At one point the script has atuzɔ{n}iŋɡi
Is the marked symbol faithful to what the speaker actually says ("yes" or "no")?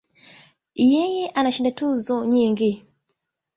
no